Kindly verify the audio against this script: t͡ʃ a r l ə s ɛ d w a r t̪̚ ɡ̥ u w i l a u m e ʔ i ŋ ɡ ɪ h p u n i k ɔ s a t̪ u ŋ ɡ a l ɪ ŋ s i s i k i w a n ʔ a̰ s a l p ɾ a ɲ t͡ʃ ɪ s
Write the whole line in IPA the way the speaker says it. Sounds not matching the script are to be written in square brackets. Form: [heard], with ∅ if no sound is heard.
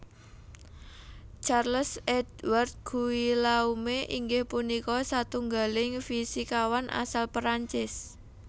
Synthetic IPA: t͡ʃ a r l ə s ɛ d w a r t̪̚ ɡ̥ u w i l a u m e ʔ i ŋ ɡ ɪ h p u n i k ɔ s a t̪ u ŋ ɡ a l ɪ ŋ [f] i s i k [a] w a n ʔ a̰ s a l p ɾ a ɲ t͡ʃ ɪ s